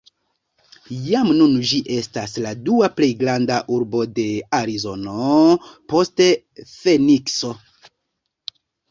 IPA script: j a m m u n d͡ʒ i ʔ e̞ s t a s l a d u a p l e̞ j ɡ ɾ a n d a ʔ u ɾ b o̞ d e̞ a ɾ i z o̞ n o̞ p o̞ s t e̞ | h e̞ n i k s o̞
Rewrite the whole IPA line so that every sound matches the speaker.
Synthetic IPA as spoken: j a m n u n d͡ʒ i ʔ e̞ s t a s l a d u a p l e̞ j ɡ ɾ a n d a ʔ u ɾ b o̞ d e̞ a ɾ i z o̞ n o̞ p o̞ s t e̞ | f e̞ n i k s o̞